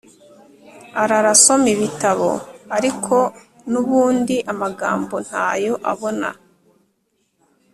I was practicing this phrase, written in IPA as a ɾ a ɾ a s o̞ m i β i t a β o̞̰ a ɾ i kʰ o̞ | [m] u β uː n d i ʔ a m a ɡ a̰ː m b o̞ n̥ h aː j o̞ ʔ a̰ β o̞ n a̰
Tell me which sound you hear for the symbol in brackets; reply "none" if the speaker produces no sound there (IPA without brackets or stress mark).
n